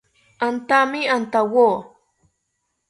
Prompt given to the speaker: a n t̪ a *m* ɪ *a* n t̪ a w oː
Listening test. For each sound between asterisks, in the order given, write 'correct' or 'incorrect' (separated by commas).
correct, correct